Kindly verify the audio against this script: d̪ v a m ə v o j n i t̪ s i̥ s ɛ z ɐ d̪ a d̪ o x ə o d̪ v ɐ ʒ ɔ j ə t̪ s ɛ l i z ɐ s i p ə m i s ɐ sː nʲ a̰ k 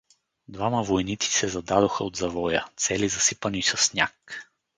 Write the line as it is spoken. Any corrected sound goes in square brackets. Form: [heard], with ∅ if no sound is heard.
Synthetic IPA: d̪ v a m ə v o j n i t̪ s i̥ s ɛ z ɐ d̪ a d̪ o x ə o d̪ [z] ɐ [v] ɔ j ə t̪ s ɛ l i z ɐ s i p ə [n] i s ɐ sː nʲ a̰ k